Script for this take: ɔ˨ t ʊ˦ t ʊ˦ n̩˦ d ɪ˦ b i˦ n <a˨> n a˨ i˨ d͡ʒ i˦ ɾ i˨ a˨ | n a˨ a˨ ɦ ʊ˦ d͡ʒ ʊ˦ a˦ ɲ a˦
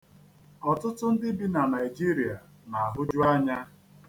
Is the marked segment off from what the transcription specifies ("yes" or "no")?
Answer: no